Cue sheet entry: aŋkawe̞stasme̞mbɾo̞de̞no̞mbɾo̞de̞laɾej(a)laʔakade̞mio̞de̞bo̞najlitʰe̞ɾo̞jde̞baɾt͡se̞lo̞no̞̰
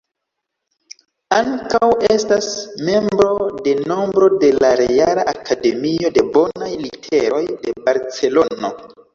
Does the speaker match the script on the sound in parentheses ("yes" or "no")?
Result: yes